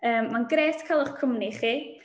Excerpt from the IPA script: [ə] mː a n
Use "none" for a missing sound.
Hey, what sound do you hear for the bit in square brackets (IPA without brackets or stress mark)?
əː